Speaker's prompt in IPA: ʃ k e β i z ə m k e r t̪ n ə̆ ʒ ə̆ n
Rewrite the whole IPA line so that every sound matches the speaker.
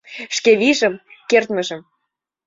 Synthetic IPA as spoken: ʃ k e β i ʒ ə m k e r t̪ m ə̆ ʒ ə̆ m